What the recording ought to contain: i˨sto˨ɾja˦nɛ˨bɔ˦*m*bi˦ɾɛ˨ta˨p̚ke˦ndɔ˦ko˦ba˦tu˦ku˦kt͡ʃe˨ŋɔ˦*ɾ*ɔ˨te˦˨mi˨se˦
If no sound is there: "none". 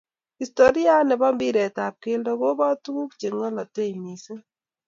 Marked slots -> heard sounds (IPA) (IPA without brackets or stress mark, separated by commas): m, l